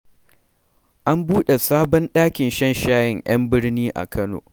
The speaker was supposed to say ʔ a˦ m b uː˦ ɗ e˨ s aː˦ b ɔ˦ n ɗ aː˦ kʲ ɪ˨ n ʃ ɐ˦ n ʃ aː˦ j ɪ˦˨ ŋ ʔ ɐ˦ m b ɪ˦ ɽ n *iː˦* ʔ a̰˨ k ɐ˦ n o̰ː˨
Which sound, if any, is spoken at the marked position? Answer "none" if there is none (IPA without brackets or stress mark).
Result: iː˦